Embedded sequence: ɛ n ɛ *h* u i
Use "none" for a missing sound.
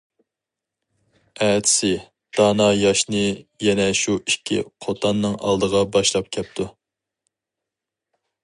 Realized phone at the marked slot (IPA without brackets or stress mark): ʃ